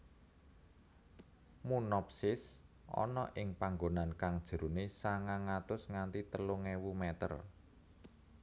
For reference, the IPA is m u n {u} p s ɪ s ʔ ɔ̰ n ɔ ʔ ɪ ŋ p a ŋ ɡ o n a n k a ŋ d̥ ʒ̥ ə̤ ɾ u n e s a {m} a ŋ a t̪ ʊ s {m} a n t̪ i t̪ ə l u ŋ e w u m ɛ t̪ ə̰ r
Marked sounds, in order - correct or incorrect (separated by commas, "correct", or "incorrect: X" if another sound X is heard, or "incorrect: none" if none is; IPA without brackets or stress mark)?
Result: incorrect: ɔ, incorrect: ŋ, incorrect: ŋ